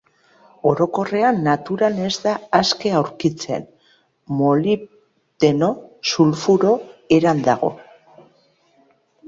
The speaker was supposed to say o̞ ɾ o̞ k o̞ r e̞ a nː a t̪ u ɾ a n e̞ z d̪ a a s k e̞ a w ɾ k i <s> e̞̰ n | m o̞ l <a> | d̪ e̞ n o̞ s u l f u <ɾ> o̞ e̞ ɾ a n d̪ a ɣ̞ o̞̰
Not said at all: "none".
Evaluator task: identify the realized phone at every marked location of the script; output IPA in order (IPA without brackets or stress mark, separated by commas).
t͡s, i, ɾ